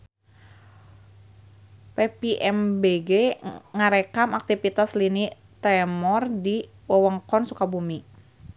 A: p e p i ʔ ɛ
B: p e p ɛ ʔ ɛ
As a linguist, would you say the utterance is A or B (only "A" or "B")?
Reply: A